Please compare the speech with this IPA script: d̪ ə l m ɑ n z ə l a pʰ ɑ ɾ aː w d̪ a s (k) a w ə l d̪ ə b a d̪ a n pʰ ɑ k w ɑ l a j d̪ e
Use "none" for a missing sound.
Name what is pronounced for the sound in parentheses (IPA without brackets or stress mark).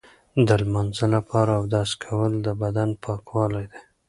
kʰ